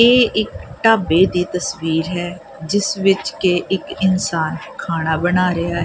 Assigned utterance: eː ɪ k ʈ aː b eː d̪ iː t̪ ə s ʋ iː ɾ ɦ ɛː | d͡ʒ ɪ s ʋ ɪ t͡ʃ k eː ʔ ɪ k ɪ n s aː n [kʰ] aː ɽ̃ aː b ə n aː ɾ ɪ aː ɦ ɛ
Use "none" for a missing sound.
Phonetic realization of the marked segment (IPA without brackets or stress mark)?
kʰ